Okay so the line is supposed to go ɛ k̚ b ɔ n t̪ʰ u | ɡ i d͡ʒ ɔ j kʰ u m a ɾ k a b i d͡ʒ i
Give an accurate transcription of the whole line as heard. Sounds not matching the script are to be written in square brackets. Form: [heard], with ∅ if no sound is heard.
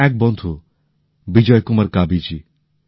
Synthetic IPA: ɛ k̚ b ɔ n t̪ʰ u | [b] i d͡ʒ ɔ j [k] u m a ɾ k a b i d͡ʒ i